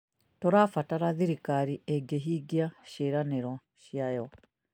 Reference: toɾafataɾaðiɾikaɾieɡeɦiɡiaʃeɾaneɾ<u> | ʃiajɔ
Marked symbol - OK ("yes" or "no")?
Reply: no